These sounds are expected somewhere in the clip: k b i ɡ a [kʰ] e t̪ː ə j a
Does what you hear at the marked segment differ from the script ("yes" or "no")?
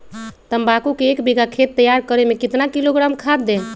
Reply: no